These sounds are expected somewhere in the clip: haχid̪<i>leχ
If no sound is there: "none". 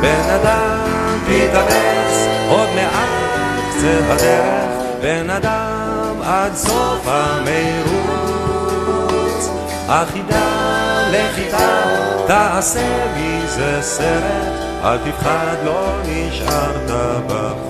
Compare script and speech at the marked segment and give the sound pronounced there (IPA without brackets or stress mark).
a